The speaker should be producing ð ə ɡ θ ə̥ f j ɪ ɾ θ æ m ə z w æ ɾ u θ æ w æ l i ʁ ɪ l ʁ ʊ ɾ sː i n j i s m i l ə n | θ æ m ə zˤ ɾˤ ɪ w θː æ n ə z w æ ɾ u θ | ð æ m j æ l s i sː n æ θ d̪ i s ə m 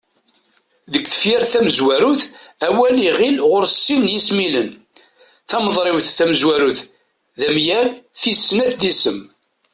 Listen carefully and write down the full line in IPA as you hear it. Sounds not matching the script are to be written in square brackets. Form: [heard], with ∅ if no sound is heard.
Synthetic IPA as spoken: ð ə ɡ θ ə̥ f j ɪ ɾ θ æ m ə z w æ ɾ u θ æ w æ l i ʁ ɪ l ʁ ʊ ɾ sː i n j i s m i l ə n | θ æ m ə [ðˤ] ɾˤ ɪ w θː æ [m] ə z w æ ɾ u θ | ð æ m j æ l [θ] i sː n æ θ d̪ i s ə m